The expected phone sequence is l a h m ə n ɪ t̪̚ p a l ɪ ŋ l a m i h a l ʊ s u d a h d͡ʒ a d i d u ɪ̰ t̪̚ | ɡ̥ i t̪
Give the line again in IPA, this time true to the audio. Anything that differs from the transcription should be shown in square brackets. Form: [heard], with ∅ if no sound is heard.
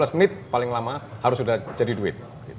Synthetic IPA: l a [s] m ə n ɪ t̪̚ p a l ɪ ŋ l a m [a] h a [ɾ] ʊ s u d a h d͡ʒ a d i d u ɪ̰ t̪̚ | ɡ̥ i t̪